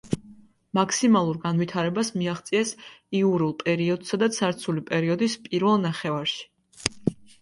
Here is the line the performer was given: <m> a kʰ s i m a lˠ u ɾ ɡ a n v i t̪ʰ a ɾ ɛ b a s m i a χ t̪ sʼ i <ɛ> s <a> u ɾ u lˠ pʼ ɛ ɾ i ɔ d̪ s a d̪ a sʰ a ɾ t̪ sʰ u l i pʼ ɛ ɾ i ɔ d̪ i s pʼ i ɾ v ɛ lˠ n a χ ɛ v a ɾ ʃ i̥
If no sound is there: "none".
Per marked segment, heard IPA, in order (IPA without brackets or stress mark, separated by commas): m, ɛ, i